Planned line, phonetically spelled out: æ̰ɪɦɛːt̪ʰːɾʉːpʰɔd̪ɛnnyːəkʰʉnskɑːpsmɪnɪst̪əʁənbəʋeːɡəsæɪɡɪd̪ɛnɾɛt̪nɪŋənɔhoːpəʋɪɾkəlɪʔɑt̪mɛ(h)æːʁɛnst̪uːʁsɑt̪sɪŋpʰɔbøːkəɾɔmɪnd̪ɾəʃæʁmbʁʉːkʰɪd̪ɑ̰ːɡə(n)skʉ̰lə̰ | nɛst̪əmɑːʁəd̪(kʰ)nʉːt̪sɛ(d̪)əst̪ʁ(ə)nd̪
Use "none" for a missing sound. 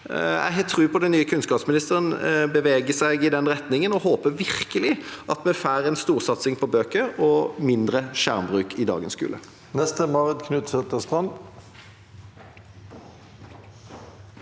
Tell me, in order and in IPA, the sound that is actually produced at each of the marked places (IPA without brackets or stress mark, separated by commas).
f, n, kʰ, t̪, ɑ